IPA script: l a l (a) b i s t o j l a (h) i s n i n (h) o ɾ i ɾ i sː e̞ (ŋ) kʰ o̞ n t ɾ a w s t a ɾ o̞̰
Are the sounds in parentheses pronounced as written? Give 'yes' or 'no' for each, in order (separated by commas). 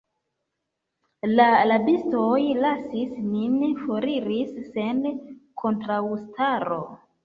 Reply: yes, no, no, no